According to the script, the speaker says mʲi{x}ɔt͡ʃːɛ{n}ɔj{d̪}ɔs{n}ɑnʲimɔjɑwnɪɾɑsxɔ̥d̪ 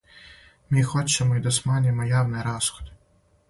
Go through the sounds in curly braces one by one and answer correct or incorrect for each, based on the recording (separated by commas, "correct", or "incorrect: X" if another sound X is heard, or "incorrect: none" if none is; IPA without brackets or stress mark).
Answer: correct, incorrect: m, correct, incorrect: m